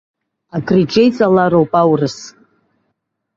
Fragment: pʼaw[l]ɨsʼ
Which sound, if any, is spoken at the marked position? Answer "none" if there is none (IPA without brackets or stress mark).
r